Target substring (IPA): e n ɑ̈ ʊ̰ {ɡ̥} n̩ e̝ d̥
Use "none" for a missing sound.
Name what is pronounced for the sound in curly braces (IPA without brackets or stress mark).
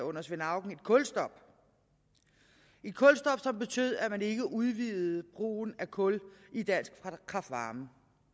ɡ̥